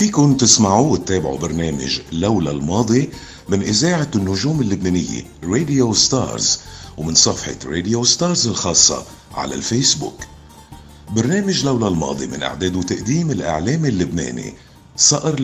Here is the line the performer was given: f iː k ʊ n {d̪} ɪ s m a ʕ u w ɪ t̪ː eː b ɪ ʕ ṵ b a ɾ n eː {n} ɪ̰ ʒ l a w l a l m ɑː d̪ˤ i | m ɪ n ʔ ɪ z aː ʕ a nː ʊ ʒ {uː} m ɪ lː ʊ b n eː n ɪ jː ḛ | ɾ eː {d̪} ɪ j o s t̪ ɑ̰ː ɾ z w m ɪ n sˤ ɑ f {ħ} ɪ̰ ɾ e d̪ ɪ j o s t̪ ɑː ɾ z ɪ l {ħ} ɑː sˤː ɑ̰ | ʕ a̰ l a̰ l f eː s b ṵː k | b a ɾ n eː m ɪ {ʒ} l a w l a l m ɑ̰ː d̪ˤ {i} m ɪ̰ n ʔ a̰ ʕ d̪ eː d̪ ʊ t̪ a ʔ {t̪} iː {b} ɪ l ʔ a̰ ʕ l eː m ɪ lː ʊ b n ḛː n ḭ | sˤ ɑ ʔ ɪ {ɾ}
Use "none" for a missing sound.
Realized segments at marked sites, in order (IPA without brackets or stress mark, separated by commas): t̪, m, uː, d̪, ħ, x, ʒ, i, d̪, m, ɾ